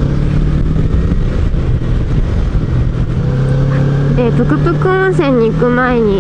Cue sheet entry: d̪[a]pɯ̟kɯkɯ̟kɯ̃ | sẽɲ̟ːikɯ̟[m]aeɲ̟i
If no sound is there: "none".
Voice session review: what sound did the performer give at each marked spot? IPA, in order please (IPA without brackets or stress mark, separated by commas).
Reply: e, m